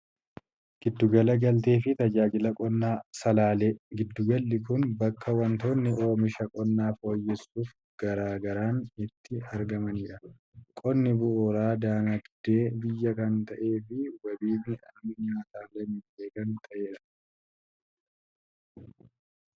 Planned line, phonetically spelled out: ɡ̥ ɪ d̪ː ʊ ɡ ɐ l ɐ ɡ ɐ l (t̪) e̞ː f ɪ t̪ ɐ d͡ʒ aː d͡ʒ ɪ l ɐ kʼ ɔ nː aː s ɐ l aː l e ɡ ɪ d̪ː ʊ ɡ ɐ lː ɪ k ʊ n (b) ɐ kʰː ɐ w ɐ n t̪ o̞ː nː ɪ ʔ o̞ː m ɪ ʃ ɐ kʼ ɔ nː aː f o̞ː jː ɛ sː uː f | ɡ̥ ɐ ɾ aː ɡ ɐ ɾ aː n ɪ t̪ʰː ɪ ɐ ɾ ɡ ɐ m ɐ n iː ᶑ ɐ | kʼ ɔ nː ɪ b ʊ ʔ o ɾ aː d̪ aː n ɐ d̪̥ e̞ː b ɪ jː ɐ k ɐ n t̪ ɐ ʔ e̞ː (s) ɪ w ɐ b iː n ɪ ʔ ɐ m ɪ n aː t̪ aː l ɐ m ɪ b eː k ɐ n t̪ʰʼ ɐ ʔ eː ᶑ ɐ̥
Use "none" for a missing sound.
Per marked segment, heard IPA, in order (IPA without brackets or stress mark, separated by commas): t̪, b, f